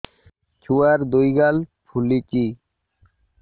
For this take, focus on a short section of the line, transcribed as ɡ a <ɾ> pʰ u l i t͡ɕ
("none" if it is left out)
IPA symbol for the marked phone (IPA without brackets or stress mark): l